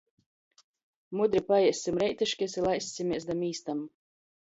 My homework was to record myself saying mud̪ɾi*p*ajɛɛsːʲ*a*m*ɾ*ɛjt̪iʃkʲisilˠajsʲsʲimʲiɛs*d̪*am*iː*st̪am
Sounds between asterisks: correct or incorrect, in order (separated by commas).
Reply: correct, incorrect, correct, correct, correct